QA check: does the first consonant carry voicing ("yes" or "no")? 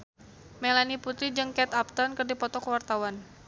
yes